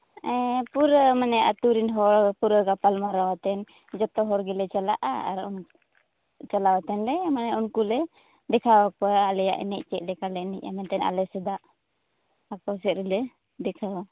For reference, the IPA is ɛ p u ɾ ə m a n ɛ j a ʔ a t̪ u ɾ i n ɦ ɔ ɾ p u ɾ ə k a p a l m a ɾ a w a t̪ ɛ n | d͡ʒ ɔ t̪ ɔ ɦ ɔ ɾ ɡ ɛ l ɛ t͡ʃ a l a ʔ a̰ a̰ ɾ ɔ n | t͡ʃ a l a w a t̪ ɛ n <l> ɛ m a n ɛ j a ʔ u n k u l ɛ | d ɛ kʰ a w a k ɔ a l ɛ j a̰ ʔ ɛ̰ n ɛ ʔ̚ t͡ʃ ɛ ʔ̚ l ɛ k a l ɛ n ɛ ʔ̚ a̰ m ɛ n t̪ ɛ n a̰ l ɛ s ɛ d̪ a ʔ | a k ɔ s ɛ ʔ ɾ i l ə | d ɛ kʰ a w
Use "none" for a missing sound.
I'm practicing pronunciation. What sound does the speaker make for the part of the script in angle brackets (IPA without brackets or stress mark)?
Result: l